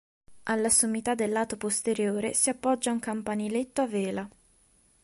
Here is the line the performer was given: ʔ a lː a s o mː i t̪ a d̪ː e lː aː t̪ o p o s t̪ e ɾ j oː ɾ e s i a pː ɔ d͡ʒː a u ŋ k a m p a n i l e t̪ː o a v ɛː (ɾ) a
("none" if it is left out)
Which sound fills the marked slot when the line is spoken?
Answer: l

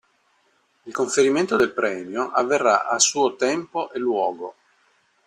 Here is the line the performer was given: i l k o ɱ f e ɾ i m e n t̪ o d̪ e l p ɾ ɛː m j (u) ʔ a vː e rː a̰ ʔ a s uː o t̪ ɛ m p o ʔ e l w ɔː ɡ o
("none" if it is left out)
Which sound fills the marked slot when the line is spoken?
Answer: o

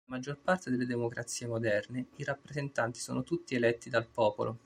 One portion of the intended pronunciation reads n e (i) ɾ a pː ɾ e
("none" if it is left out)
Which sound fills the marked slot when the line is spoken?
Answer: i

